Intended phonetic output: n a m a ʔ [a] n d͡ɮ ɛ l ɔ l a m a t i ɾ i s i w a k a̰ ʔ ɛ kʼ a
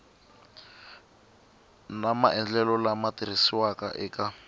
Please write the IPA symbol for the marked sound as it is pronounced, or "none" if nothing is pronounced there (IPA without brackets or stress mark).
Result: ɛ